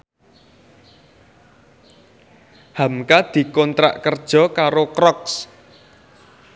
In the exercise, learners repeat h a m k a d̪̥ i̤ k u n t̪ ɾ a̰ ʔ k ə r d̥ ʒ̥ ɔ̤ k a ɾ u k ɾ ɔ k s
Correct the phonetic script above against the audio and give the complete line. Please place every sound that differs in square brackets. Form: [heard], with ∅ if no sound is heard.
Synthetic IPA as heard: h a m k a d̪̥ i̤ k [ɔ] n t̪ ɾ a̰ ʔ k ə r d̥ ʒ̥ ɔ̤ k a ɾ [o] k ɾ ɔ k s